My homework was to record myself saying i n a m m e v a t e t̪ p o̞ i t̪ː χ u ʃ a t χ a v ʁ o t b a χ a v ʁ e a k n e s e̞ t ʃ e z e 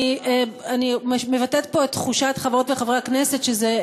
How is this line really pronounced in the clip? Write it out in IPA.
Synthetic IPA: a n i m m e v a t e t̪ p o̞ e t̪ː χ u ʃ a t χ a v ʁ o t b e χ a v ʁ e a k n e s e̞ t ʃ e z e